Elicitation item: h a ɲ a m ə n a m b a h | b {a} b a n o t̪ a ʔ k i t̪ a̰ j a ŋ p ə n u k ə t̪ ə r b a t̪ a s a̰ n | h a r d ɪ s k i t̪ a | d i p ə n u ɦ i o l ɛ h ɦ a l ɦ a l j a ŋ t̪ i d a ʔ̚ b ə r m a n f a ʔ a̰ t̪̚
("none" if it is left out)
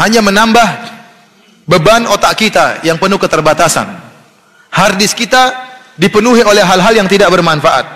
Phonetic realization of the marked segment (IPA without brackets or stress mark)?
ə